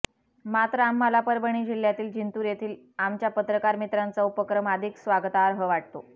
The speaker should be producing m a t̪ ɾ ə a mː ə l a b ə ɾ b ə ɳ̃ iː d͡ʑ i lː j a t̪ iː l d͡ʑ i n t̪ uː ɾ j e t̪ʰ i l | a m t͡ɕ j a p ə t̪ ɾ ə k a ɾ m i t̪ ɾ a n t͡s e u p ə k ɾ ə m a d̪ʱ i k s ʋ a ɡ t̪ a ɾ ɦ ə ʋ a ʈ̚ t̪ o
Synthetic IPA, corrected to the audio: m a t̪ ɾ ə a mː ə l a p ə ɾ b ə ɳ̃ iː d͡ʑ i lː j a t̪ iː l d͡ʑ i n t̪ uː ɾ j e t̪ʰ iː l | a m t͡ɕ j a p ə t̪ ɾ ə k a ɾ m i t̪ ɾ a n t͡s a u p ə k ɾ ə m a d̪ʱ i k s ʋ a ɡ t̪ a ɾ ɦ ə ʋ a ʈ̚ t̪ o